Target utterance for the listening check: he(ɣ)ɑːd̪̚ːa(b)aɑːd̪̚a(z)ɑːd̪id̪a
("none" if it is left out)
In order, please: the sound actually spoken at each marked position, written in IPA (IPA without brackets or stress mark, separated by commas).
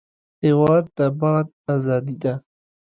w, b, z